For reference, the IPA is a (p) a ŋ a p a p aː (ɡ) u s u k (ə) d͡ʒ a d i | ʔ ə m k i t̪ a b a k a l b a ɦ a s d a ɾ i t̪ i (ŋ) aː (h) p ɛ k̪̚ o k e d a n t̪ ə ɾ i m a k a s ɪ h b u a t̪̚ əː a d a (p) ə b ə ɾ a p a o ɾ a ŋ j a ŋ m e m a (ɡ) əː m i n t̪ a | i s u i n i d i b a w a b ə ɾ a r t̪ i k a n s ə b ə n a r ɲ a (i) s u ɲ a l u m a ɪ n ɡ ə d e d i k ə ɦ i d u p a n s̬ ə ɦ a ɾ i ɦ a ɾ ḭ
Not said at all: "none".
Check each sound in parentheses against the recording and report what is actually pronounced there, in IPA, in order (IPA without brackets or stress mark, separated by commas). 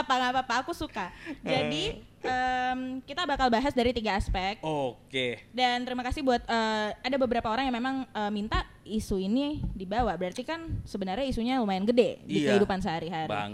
p, k, a, ɡ, s, b, ŋ, i